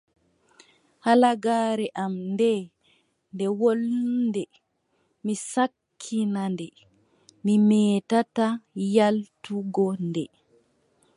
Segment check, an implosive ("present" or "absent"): absent